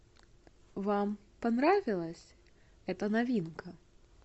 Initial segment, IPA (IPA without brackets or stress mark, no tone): v